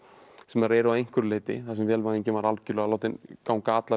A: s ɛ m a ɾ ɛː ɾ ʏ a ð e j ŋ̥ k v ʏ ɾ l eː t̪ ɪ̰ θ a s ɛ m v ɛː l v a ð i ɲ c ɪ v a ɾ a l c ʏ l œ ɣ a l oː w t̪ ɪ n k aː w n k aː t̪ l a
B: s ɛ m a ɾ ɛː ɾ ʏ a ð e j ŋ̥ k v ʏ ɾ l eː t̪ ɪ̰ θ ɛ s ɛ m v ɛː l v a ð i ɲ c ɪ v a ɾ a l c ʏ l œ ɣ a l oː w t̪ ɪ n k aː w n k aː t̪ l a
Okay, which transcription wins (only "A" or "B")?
A